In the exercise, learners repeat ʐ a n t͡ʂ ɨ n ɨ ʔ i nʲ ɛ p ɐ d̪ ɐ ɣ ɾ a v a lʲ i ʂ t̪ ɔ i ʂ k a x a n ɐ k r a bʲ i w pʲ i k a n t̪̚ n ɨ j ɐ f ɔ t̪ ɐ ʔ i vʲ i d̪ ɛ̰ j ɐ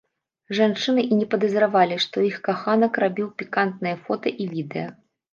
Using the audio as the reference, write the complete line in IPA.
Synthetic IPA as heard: ʐ a n t͡ʂ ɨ n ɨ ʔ i nʲ ɛ p ɐ d̪ ɐ z ɾ a v a lʲ i ʂ t̪ ɔ i x k a x a n ɐ k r a bʲ i w pʲ i k a n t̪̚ n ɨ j ɐ f ɔ t̪ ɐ ʔ i vʲ i d̪ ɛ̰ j ɐ

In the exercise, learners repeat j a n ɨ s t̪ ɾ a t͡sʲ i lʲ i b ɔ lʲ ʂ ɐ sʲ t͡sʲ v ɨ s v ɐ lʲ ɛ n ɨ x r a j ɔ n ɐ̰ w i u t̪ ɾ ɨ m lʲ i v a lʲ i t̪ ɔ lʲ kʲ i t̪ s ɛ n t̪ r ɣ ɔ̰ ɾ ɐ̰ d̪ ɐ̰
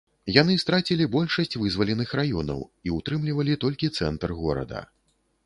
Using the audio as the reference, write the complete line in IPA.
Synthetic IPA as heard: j a n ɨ s t̪ ɾ a t͡sʲ i lʲ i b ɔ lʲ ʂ ɐ sʲ t͡sʲ v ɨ z v ɐ lʲ ɛ n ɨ x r a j ɔ n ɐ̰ w i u t̪ ɾ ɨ m lʲ i v ɐ lʲ i t̪ ɔ lʲ kʲ i t̪ s ɛ n t̪ r ɣ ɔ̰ ɾ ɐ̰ d̪ ɐ̰

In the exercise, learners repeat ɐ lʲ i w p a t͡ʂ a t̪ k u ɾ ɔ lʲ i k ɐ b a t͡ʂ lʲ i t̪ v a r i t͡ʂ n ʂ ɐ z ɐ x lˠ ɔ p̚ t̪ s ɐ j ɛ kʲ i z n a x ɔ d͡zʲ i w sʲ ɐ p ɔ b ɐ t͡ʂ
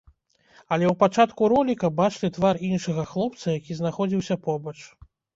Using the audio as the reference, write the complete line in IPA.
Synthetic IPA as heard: ɐ lʲ ɛ w p a t͡ʂ a t̪ k u ɾ ɔ lʲ i k ɐ b a t͡ʂ lʲ i t̪ v a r i n ʂ ɐ ɣ ɐ x lˠ ɔ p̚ t̪ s ɐ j a kʲ i z n a x ɔ d͡zʲ i w sʲ ɐ p ɔ b ɐ t͡ʂ

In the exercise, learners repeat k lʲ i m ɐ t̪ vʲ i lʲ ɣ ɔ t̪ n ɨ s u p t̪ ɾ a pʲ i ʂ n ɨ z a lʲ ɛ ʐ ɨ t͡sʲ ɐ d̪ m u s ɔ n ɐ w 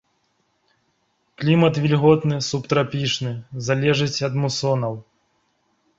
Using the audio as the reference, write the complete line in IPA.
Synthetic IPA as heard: k lʲ i m ɐ t̪ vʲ i lʲ ɣ ɔ t̪ n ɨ s u p t̪ ɾ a pʲ i ʂ n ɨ z a lʲ ɛ ʐ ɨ t͡sʲ ɐ d̪ m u s ɔ n ɐ w

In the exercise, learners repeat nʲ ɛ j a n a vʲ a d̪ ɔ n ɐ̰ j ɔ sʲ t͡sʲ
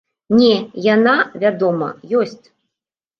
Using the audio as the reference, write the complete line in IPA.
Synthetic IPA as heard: nʲ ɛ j a n a vʲ a d̪ ɔ m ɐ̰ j ɔ sʲ t͡sʲ

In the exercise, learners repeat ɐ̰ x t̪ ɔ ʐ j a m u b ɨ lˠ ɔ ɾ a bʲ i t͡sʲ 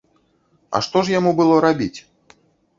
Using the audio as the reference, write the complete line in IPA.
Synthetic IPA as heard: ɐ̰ ʂ t̪ ɔ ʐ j a m u b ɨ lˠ ɔ ɾ a bʲ i t͡sʲ

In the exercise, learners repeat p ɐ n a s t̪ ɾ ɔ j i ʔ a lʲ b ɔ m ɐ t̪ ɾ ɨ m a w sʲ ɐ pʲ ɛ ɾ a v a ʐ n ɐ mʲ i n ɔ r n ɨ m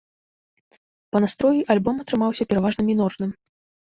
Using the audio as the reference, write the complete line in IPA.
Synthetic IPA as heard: p ɐ n a s t̪ ɾ ɔ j i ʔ a lʲ b ɔ m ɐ t̪ ɾ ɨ m a w sʲ ɐ pʲ ɛ ɾ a v a ʐ n ɐ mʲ i n ɔ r n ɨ m

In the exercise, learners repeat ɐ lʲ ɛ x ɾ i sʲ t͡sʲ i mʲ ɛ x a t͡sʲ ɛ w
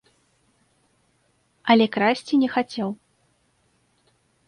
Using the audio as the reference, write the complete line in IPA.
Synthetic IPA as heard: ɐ lʲ ɛ k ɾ a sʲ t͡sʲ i nʲ ɛ x a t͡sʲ ɛ w

